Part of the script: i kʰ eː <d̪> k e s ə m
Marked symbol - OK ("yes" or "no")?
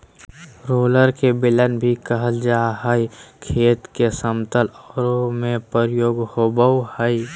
no